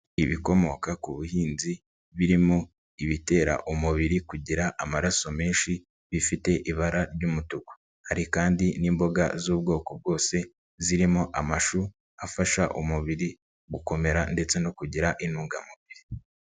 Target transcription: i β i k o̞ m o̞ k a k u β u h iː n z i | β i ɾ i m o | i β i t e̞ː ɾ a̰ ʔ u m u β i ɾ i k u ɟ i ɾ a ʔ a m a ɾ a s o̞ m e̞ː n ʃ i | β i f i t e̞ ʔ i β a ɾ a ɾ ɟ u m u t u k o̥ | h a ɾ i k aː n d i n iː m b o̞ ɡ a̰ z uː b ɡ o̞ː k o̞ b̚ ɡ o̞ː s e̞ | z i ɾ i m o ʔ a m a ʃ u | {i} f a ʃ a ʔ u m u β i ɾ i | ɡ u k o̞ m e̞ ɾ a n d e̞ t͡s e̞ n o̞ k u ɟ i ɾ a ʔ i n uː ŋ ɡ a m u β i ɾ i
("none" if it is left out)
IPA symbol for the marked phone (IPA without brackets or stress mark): a